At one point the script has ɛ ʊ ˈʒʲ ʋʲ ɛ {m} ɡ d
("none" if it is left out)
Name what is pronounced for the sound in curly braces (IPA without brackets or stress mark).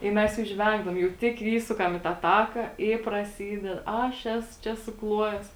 ŋ